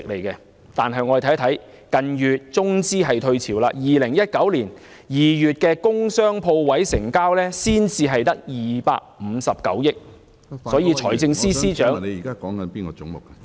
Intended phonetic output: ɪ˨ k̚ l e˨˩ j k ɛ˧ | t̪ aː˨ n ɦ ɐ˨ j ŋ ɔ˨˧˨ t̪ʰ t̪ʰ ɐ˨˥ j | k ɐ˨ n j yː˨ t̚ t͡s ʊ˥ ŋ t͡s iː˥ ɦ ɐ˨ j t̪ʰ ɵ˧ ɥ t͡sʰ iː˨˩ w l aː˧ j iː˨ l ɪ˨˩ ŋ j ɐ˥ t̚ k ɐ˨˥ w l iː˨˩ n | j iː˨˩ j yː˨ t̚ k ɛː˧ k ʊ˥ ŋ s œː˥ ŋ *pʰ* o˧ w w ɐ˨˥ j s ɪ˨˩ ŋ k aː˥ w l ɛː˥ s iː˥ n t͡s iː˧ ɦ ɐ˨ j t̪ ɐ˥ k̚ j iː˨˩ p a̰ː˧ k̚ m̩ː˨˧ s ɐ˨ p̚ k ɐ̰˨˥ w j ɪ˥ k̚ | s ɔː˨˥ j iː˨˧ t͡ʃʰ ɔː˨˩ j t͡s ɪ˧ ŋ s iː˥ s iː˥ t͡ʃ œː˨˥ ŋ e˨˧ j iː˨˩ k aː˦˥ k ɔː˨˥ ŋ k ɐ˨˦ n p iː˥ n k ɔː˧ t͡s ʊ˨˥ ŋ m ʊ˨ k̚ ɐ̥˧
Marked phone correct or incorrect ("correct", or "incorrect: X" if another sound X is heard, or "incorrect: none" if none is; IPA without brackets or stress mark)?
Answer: correct